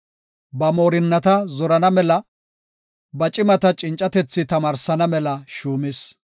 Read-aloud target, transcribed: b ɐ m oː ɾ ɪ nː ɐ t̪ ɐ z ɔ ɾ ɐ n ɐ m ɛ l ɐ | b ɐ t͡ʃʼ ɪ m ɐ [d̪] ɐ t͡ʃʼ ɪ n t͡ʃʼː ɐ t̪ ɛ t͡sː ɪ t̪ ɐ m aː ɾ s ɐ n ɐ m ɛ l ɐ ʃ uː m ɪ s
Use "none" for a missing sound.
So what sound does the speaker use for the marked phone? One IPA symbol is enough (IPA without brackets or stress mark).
t̪